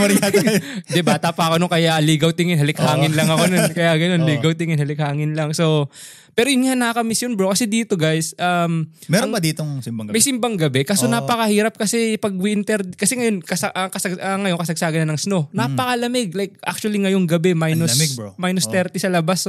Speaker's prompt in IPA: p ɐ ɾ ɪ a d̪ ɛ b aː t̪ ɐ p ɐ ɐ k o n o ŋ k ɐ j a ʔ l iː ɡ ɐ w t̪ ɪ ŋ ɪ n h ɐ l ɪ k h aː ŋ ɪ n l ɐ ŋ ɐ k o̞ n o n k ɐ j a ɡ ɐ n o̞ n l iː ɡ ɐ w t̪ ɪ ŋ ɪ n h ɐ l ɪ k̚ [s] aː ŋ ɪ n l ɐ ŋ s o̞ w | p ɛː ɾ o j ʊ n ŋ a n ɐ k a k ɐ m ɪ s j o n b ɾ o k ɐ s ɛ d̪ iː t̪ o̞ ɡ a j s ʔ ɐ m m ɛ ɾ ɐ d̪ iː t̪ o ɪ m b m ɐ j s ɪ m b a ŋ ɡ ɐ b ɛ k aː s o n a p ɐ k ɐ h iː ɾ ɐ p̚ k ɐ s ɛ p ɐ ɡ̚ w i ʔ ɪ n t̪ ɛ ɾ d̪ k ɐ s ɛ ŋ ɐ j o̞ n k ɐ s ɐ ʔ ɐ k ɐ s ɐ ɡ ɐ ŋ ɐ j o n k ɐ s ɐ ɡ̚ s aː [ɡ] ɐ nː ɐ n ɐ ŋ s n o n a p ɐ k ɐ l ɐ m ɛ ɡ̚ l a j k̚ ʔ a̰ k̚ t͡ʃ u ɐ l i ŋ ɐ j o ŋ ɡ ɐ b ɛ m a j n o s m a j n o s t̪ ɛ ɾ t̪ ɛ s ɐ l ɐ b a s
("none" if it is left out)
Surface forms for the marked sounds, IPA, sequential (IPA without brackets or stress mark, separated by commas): h, ɡ